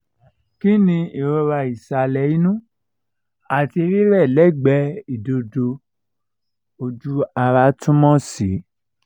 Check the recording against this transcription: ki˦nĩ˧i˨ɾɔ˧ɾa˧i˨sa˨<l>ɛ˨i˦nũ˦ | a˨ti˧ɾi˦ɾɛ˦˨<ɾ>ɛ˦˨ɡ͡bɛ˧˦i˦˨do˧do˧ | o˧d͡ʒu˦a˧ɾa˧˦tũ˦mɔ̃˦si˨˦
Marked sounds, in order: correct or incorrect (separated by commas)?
correct, incorrect